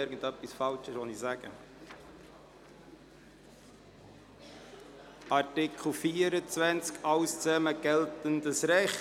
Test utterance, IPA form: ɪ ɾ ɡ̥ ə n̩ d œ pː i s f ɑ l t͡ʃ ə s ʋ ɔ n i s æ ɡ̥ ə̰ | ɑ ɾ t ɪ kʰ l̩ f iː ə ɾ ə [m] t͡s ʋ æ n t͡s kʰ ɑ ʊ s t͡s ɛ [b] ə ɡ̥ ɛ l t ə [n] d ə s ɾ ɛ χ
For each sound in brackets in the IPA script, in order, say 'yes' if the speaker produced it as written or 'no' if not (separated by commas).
no, no, yes